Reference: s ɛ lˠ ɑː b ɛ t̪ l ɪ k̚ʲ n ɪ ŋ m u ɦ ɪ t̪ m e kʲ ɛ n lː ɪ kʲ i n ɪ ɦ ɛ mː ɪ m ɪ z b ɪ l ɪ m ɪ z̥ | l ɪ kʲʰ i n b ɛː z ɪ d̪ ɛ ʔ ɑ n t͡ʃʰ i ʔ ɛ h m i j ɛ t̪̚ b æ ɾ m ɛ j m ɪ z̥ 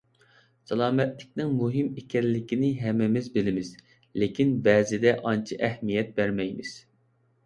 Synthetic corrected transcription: s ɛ lˠ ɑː m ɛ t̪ l ɪ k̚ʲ n ɪ ŋ m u ɦ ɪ m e kʲ ɛ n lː ɪ kʲ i n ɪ ɦ ɛ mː ɪ m ɪ z b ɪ l ɪ m ɪ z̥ | l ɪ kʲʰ i n b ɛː z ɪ d̪ ɛ ʔ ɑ n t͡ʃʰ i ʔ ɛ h m i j ɛ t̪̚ b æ ɾ m ɛ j m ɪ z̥